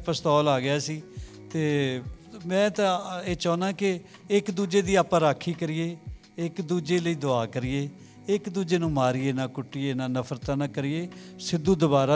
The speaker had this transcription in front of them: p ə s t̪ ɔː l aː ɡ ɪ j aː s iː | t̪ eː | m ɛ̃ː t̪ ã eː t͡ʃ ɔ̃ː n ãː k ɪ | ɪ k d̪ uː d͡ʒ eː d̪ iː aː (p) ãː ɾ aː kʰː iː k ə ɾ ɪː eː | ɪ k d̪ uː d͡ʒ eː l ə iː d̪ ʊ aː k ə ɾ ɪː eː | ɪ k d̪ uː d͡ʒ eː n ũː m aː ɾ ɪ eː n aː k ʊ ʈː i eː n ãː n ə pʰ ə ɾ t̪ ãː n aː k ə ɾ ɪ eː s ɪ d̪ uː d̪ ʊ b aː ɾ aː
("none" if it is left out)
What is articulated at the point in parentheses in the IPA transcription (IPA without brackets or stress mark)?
p